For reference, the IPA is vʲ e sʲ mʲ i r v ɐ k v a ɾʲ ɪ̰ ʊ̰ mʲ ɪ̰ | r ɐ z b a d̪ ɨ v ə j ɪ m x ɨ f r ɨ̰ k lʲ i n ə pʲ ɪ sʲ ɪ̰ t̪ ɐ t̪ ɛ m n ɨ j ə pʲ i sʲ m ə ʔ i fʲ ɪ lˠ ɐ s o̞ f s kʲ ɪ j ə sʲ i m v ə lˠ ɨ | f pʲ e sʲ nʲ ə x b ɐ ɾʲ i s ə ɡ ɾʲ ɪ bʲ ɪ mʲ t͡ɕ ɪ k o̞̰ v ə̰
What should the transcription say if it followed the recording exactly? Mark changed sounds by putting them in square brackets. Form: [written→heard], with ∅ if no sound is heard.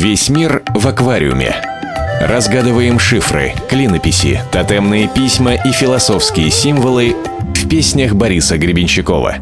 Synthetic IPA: vʲ e sʲ mʲ i r v ɐ k v a ɾʲ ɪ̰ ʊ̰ mʲ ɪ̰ | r ɐ z [b→ɡ] a d̪ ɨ v ə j ɪ m [x→ʂ] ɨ f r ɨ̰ k lʲ i n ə pʲ ɪ sʲ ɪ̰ t̪ ɐ t̪ ɛ m n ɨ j ə pʲ i sʲ m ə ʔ i fʲ ɪ lˠ ɐ s o̞ f s kʲ ɪ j ə sʲ i m v ə lˠ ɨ | f pʲ e sʲ nʲ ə x b ɐ ɾʲ i s ə ɡ ɾʲ ɪ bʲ ɪ [mʲ→nʲ] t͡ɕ ɪ k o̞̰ v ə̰